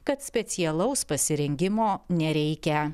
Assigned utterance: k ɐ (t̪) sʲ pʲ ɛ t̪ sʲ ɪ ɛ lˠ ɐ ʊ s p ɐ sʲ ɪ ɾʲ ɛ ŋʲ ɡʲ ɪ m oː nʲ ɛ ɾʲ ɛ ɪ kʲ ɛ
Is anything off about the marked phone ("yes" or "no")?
no